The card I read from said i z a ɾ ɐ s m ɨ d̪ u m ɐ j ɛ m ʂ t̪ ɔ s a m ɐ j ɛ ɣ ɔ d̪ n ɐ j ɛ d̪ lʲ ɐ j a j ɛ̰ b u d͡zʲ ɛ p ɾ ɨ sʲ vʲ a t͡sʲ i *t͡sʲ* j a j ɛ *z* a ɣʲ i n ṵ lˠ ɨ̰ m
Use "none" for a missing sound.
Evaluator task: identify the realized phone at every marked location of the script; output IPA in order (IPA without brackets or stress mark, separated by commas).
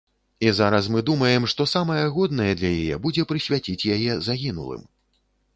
t͡sʲ, z